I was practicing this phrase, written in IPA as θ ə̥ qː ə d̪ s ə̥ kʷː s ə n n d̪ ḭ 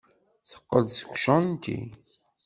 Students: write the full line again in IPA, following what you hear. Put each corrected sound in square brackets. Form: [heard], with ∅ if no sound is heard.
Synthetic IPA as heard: θ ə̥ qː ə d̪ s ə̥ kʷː [ʃ] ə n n [t̪] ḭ